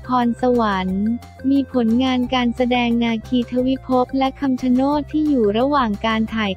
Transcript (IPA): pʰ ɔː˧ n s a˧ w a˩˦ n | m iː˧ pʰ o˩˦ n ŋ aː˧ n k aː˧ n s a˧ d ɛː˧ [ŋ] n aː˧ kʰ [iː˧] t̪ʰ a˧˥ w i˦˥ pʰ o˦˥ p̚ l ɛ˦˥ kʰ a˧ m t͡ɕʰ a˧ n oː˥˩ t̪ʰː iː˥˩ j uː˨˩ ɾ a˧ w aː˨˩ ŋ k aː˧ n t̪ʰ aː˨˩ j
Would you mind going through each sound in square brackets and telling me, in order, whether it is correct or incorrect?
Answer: correct, correct

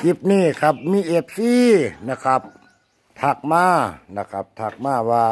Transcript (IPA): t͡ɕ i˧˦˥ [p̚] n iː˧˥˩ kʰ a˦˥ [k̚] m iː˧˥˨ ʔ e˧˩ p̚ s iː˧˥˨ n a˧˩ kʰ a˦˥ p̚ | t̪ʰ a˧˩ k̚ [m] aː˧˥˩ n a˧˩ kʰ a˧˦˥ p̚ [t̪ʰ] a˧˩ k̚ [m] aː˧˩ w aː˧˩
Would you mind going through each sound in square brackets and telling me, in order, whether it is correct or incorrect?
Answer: correct, incorrect: p̚, correct, correct, correct

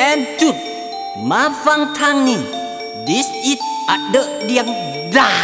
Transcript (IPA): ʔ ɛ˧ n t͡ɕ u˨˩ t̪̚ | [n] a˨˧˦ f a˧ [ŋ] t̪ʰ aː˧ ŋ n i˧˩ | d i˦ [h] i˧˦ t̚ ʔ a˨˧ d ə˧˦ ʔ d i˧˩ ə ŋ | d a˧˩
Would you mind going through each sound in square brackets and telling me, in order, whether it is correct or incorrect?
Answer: incorrect: m, correct, incorrect: s

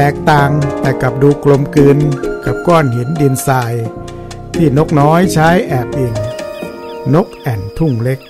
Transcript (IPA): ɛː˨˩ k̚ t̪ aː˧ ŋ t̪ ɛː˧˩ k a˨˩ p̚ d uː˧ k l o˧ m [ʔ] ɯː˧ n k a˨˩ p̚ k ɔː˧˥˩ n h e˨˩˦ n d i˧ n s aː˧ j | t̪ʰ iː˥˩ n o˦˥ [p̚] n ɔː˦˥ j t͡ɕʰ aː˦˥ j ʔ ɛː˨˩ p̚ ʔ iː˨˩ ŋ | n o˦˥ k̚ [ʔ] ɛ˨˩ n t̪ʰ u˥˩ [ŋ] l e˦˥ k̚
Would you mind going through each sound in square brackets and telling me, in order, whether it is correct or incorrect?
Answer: incorrect: k, incorrect: k̚, correct, correct

